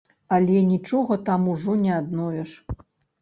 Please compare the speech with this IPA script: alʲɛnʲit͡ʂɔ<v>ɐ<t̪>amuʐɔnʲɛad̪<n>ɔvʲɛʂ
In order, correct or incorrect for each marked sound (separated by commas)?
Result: incorrect, correct, correct